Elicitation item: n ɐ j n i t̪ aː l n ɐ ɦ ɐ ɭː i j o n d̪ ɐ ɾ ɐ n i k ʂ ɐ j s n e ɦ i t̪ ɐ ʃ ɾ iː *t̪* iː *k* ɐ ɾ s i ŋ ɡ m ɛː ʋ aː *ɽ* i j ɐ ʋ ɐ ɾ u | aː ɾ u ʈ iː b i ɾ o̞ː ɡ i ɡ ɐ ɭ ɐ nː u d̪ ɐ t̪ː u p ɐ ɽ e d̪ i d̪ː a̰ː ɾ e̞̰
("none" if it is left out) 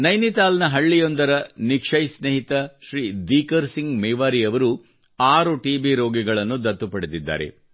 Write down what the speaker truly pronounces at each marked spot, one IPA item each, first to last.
d̪, k, ɾ

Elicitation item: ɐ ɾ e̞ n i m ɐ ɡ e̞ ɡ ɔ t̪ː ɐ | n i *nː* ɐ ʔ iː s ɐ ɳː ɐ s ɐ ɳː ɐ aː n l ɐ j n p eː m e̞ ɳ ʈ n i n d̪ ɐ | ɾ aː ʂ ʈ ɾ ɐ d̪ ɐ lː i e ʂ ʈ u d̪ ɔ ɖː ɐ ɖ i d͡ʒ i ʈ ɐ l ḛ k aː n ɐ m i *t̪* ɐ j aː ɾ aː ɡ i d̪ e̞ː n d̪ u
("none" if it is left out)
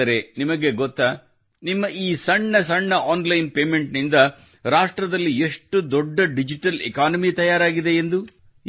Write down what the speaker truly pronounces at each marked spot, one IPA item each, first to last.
mː, t̪

